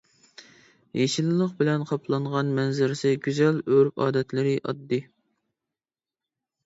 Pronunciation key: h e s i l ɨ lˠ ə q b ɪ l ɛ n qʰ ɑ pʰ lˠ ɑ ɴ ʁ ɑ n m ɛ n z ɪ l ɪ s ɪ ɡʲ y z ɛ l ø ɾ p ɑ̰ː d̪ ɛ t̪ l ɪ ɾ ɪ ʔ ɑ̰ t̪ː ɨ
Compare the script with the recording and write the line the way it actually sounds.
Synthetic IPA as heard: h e ʃ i l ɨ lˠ ə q b ɪ l ɛ n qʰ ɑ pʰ lˠ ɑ ɴ ʁ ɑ n m ɛ n z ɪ ɾ ɪ s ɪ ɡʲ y z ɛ l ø ɾ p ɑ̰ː d̪ ɛ t̪ l ɪ ɾ ɪ ʔ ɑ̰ d̪ː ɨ